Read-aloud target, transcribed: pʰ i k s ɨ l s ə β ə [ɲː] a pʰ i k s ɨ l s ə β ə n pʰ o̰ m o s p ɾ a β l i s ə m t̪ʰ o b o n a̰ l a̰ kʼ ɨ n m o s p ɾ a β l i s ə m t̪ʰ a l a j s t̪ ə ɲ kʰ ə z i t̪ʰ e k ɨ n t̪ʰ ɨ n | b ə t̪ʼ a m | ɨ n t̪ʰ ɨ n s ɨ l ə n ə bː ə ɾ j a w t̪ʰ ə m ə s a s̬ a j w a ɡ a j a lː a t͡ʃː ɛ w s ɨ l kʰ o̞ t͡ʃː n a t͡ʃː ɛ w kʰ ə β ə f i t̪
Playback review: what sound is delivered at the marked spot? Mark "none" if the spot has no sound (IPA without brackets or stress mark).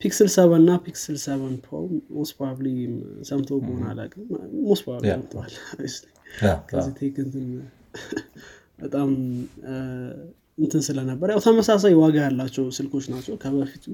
nː